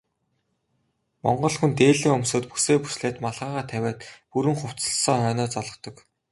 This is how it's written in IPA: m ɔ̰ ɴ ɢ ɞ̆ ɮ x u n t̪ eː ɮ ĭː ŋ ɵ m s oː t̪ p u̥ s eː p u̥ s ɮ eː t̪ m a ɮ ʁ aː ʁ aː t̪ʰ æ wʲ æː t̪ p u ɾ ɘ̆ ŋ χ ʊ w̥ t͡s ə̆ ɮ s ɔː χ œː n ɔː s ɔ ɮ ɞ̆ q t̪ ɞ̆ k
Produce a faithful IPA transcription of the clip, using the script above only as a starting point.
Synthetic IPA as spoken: m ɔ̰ ɴ ɢ ɞ̆ ɮ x u n t̪ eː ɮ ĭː ŋ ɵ m s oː t̪ p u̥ s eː p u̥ s ɮ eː t̪ m a ɮ ʁ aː ʁ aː t̪ʰ æ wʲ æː t̪ p u ɾ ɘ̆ ŋ χ ʊ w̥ t͡s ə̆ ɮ s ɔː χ œː n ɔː t͡s ɔ ɮ ɞ̆ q t̪ ɞ̆ k